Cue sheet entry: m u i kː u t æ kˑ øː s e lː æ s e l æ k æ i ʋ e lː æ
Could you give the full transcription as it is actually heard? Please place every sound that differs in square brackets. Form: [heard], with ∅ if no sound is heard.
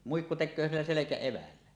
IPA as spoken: m u i kː u t [e] kˑ øː s [i] lː æ s e l [e] k æ [e] ʋ [æ] lː æ